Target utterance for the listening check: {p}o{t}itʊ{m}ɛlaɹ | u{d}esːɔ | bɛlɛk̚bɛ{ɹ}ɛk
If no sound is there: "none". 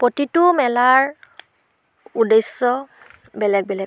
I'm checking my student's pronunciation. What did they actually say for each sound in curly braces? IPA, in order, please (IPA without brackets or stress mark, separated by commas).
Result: p, t, m, d, l